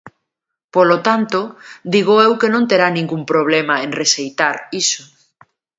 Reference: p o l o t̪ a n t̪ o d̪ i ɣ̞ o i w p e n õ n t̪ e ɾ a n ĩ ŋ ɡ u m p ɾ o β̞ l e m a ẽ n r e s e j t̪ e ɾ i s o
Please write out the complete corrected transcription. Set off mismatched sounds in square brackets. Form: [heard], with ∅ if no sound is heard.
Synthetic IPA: p o l o t̪ a n t̪ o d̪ i ɣ̞ o [e] w [k] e n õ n t̪ e ɾ a n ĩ ŋ ɡ u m p ɾ o β̞ l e m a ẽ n r e s e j t̪ [a] ɾ i s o